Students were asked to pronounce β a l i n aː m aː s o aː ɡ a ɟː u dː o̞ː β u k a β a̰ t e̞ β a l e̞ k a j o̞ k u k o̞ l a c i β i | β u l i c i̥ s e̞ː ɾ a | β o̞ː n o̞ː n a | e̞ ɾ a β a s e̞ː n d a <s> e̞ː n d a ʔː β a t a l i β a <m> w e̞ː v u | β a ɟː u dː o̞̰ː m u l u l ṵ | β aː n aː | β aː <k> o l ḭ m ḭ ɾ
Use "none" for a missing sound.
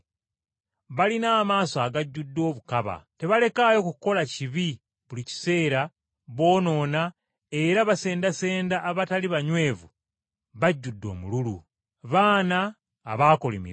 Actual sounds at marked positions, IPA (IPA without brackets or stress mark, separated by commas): s, ɲ, k